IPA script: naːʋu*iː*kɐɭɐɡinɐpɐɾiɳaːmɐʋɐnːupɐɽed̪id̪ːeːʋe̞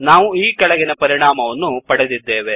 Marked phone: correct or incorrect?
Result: correct